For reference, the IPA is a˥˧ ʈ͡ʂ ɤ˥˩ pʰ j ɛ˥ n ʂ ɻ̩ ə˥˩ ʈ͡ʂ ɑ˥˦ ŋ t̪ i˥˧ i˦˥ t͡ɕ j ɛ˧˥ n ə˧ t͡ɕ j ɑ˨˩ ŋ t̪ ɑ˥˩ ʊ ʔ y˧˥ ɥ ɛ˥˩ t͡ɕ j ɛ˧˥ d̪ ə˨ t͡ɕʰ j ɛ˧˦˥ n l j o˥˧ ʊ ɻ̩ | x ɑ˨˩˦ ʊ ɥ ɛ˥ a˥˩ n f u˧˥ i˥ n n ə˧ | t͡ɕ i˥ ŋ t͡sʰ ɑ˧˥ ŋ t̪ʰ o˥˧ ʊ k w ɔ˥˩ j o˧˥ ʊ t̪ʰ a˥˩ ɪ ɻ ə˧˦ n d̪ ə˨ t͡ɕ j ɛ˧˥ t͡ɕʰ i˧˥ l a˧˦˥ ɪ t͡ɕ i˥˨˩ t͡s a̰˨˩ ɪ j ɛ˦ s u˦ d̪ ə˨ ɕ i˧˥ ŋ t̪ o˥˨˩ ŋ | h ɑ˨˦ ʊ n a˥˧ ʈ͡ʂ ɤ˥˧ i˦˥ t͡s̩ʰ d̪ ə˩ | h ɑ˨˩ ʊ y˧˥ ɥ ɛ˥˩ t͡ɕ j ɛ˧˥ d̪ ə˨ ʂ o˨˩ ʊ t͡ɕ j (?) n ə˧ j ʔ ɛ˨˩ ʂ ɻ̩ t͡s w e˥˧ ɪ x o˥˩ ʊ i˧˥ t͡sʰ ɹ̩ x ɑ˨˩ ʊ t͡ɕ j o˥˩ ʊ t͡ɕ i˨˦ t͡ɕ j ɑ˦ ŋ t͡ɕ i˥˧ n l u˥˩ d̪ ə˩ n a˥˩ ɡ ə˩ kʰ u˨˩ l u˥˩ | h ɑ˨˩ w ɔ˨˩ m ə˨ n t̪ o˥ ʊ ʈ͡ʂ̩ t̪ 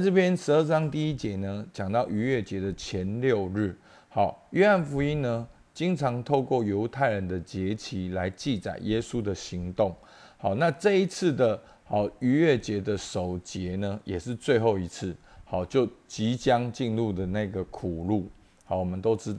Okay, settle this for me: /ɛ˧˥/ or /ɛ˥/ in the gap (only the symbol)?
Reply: ɛ˧˥